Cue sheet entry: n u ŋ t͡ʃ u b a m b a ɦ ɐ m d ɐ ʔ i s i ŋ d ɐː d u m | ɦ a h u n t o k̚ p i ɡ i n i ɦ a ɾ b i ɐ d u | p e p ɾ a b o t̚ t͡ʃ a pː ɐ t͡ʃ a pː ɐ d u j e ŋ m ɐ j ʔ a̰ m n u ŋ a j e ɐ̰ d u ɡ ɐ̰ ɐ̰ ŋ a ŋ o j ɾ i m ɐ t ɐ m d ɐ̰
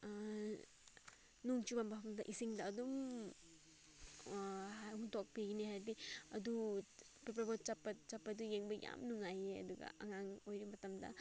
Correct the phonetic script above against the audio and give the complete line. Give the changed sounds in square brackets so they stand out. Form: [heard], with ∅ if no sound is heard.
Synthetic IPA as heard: n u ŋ t͡ʃ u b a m b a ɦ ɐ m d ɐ ʔ i s i ŋ d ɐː d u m | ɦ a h u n t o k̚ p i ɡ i n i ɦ a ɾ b i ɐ d u | p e p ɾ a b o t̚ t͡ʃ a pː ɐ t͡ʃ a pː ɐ d u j e ŋ [b] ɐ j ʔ a̰ m n u ŋ a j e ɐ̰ d u ɡ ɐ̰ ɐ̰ ŋ a ŋ o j ɾ i m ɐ t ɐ m d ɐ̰